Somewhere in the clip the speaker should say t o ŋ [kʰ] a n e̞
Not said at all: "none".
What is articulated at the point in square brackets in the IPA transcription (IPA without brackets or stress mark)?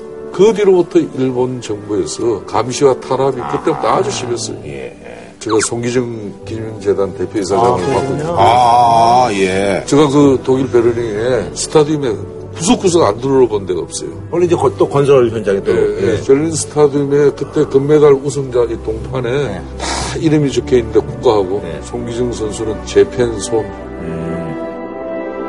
pʰ